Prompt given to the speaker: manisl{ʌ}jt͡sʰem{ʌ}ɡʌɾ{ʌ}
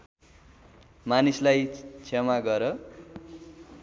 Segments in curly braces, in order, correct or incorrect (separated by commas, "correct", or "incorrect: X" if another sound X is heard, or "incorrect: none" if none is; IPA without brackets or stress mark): incorrect: a, incorrect: a, correct